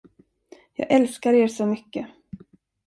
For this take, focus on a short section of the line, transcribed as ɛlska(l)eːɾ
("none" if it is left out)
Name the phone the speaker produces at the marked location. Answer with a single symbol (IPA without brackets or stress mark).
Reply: ɾ